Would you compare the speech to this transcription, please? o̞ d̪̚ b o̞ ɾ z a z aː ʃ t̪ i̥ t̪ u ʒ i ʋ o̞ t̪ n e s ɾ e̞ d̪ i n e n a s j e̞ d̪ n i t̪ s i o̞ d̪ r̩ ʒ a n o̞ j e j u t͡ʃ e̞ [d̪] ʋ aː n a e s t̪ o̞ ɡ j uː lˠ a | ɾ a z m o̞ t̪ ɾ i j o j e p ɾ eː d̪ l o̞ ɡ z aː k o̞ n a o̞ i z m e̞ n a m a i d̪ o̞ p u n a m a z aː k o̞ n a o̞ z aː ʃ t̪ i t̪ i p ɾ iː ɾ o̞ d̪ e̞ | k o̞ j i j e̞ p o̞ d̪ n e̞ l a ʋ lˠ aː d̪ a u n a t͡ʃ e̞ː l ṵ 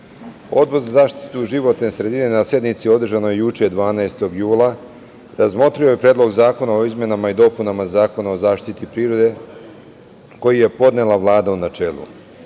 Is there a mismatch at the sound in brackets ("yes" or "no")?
no